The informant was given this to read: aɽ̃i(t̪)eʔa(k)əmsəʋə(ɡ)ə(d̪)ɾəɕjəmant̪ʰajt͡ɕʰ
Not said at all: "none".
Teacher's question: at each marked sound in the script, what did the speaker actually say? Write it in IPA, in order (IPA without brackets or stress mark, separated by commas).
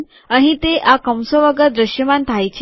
t̪, k, ɡ, d̪